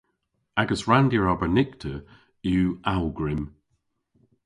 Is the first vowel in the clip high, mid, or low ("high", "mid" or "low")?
low